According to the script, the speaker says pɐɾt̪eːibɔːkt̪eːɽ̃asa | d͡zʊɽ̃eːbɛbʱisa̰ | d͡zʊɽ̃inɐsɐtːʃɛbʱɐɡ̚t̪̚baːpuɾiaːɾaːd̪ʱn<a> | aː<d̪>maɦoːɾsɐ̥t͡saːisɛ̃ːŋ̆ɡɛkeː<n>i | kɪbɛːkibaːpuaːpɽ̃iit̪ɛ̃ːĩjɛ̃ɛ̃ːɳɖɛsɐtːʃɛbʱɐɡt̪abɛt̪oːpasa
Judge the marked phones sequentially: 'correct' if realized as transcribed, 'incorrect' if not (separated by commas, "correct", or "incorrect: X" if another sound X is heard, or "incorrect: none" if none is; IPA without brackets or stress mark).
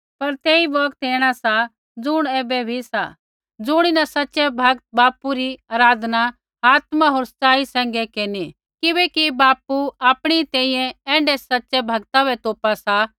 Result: correct, incorrect: t̪, correct